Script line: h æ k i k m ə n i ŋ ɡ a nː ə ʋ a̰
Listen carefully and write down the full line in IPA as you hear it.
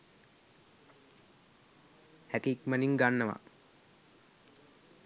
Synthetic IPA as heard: h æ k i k m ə n i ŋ ɡ a nː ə ʋ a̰